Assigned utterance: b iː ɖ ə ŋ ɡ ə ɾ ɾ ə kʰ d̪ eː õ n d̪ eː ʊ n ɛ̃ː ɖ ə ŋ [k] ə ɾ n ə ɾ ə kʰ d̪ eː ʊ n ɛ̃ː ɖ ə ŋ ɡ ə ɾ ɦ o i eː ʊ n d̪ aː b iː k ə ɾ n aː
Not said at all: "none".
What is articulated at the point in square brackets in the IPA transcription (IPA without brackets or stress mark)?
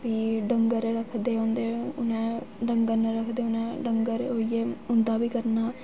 ɡ